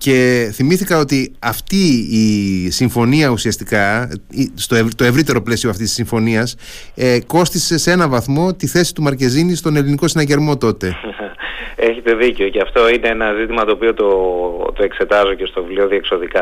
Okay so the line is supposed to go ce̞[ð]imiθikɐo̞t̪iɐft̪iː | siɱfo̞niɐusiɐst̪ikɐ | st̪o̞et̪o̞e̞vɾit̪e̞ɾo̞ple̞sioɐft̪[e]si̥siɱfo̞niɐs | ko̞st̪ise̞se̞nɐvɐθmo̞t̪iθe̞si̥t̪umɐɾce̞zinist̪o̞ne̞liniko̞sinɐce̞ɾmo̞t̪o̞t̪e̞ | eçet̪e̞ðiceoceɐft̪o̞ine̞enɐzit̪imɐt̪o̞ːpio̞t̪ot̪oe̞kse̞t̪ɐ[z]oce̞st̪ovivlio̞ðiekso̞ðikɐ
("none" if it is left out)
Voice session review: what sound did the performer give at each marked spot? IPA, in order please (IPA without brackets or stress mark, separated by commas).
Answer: θ, i, z